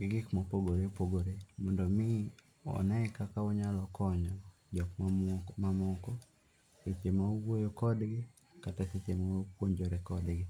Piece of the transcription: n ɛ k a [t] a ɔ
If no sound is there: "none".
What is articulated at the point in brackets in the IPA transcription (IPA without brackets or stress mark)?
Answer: k